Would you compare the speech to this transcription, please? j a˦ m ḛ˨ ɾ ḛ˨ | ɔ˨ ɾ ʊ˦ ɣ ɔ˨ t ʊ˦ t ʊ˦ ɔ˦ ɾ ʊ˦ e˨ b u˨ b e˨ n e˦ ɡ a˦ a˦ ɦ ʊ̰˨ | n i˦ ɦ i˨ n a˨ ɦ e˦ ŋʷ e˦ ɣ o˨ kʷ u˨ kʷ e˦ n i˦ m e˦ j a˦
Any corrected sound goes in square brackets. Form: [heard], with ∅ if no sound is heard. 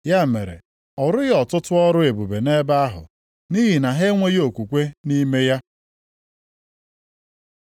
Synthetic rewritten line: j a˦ m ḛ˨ ɾ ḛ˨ | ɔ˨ ɾ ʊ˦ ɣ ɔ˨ t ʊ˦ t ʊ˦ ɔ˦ ɾ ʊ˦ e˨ b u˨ b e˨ n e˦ [b] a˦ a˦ ɦ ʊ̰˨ | n i˦ ɦ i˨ n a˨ ɦ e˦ ŋʷ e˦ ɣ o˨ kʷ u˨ kʷ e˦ n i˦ m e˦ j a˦